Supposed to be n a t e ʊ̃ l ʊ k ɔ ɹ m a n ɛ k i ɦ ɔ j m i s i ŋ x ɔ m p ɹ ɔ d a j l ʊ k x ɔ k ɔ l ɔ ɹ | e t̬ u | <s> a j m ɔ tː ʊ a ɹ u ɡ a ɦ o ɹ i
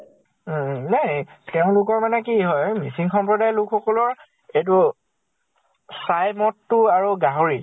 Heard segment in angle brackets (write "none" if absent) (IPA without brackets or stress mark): s